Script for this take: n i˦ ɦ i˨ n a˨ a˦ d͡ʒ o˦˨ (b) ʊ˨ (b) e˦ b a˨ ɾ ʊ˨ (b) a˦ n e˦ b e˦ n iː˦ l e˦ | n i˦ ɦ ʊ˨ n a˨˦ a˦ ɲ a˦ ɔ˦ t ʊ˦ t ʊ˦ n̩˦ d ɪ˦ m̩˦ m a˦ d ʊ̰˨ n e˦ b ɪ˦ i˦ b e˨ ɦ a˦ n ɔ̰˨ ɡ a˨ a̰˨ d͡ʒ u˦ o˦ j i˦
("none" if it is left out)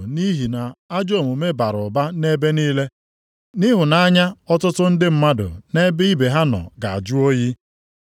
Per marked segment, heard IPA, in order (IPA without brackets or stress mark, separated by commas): m, m, b